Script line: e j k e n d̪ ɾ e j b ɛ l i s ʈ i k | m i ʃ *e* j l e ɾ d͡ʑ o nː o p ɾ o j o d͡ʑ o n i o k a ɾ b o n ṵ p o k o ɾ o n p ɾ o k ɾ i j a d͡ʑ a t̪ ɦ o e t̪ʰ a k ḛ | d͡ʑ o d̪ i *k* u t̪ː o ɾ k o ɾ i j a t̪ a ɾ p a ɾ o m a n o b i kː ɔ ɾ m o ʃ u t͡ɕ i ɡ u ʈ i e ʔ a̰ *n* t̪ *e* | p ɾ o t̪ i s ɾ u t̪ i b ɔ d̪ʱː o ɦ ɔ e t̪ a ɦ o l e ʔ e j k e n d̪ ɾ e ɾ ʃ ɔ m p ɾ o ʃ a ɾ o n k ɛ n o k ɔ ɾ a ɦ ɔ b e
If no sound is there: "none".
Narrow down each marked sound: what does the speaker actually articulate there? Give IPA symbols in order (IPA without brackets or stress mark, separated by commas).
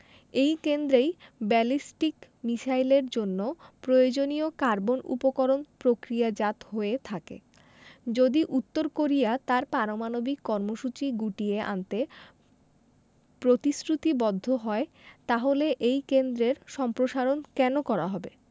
a, ʔ, n, e